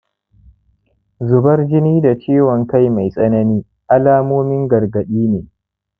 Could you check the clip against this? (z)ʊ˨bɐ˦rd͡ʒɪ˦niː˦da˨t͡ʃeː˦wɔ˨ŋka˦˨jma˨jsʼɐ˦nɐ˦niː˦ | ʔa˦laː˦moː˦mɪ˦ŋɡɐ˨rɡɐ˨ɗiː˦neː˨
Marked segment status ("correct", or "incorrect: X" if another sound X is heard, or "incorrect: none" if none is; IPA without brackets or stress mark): correct